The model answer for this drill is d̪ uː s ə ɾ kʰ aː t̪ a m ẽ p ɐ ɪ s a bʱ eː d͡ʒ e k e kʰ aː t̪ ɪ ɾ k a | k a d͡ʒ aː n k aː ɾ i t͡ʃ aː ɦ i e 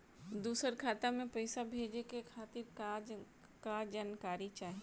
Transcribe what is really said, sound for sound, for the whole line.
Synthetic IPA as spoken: d̪ uː s ə ɾ kʰ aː t̪ a m ẽ p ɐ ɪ s a bʱ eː d͡ʒ e k e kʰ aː t̪ ɪ ɾ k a | k a d͡ʒ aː n k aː ɾ i t͡ʃ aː ɦ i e